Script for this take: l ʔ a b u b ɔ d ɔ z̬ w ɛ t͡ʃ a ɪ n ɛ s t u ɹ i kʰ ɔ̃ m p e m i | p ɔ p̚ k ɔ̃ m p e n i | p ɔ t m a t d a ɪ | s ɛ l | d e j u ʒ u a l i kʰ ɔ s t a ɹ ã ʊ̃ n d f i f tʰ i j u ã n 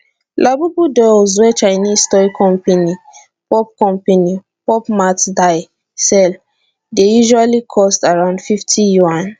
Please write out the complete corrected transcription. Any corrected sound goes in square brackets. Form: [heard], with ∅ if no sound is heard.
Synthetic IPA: l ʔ a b u b [u] d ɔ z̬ w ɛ t͡ʃ a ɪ n [i] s t [ɔ] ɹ i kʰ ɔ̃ m p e [n] i | p ɔ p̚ k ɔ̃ m p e n i | p ɔ [p] m a t d a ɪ | s ɛ l | d e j u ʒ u a l i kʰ ɔ s t a ɹ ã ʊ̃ n d f i f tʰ i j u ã n